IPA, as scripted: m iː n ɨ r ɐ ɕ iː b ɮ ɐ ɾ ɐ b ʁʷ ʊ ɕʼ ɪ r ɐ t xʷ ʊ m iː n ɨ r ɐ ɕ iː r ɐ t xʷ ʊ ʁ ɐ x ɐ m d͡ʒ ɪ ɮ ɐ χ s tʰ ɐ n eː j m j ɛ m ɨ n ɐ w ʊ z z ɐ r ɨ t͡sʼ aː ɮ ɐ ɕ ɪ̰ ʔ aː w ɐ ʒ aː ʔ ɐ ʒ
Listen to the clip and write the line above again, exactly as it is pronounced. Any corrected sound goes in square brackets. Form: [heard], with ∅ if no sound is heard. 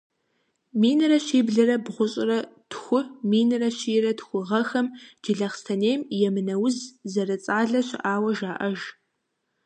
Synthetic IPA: m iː n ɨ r ɐ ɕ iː b ɮ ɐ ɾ ɐ b ʁʷ ʊ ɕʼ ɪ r ɐ t xʷ ʊ m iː n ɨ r ɐ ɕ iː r ɐ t xʷ ʊ ʁ ɐ x ɐ m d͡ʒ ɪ ɮ ɐ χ s tʰ ɐ n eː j m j ɛ m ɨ n ɐ w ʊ z z ɐ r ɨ t͡sʼ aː ɮ ɐ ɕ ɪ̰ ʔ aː w ɐ ʒ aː ʔ ɐ ʒ